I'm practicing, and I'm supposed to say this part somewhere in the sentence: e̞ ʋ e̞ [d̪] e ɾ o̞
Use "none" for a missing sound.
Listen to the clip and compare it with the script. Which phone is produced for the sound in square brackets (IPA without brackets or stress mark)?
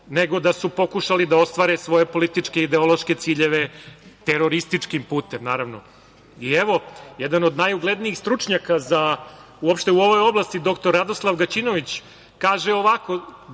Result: t̪